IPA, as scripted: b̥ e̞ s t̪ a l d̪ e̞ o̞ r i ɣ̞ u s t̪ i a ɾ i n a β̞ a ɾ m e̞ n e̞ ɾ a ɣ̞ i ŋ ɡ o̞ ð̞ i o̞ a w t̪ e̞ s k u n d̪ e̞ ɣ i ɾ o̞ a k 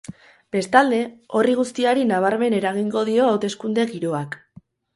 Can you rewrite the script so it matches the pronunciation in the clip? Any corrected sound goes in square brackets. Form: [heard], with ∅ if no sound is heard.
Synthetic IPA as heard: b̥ e̞ s t̪ a l d̪ e̞ o̞ r i ɣ̞ u s t̪ i a ɾ i n a β̞ a ɾ m e̞ n e̞ ɾ a ɣ̞ i ŋ ɡ o̞ ð̞ i o̞ a w t̪ e̞ s k u n d̪ e̞ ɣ i ɾ o̞ a k